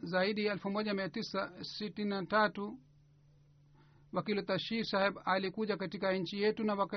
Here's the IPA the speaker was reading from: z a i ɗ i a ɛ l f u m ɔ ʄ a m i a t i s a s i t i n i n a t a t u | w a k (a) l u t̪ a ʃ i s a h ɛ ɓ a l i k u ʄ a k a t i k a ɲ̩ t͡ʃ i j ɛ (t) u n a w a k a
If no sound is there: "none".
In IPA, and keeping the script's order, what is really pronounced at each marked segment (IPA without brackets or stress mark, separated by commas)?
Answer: i, t